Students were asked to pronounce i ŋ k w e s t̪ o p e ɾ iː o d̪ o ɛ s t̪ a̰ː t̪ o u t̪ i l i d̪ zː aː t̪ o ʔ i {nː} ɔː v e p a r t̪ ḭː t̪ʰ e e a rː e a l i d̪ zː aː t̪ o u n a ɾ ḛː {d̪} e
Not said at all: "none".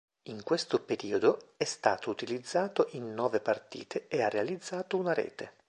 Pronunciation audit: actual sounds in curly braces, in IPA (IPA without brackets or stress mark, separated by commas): nː, t̪